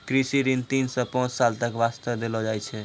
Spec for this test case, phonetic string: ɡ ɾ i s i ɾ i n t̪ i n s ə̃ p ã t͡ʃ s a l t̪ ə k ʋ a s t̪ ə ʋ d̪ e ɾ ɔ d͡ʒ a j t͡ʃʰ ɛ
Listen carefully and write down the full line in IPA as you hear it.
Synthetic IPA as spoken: k ɾ i s i ɾ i n t̪ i n s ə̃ p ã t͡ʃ s a l t̪ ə k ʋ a s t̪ ə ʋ d̪ e l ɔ d͡ʒ a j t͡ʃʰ ɛ